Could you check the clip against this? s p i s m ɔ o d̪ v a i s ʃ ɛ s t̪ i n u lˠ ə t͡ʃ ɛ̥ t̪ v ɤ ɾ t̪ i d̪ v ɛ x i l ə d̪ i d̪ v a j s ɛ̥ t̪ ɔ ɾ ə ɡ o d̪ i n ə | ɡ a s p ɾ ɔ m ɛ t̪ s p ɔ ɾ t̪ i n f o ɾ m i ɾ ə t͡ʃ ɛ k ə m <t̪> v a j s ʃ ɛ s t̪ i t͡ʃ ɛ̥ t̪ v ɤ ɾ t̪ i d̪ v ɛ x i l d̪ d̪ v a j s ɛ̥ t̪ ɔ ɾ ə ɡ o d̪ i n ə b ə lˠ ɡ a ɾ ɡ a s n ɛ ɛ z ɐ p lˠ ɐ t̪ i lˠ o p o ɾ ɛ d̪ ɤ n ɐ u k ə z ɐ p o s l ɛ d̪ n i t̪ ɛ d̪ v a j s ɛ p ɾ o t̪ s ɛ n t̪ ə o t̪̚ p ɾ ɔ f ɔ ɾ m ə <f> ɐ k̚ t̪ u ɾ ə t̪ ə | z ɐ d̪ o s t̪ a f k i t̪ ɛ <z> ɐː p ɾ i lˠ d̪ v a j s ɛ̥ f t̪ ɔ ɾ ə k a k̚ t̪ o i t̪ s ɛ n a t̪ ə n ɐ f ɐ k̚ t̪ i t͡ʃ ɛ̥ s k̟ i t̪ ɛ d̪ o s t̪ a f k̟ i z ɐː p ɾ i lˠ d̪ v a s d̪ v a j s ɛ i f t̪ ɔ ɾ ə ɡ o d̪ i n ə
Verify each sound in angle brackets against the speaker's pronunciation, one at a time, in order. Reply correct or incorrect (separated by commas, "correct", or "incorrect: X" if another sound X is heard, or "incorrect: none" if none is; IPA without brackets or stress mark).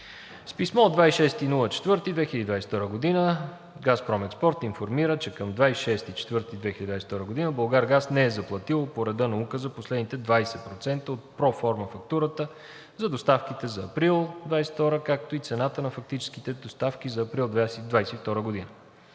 incorrect: d̪, correct, correct